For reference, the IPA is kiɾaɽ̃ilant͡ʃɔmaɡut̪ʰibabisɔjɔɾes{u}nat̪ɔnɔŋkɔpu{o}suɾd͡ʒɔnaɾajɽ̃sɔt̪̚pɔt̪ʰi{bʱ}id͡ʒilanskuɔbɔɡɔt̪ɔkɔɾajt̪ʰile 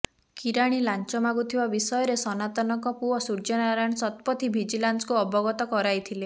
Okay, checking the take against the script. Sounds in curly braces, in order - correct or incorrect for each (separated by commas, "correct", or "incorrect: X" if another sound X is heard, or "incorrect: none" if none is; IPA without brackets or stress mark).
incorrect: ɔ, incorrect: ɔ, correct